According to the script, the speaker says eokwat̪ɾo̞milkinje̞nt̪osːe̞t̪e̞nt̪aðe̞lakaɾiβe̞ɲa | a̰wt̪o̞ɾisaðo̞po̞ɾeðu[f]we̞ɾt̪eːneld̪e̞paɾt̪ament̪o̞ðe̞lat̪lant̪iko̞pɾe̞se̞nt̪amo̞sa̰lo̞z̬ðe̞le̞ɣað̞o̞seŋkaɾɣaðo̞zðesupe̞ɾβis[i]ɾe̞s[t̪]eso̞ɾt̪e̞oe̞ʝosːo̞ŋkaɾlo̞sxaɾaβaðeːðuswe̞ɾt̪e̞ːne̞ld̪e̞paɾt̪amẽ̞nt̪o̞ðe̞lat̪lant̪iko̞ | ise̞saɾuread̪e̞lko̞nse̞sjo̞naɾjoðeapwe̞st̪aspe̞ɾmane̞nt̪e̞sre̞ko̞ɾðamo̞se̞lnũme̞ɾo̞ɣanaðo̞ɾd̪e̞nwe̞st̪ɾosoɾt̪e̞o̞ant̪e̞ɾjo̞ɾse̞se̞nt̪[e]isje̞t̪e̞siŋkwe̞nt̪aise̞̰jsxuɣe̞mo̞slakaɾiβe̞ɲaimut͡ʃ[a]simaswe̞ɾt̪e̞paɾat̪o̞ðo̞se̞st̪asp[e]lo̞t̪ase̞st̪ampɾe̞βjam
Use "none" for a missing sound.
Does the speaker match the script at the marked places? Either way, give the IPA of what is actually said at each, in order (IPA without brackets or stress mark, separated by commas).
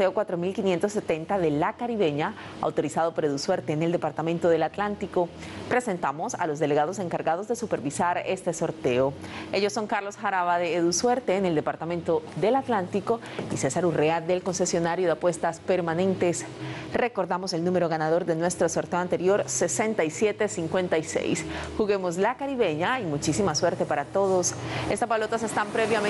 s, a, t̪, a, i, a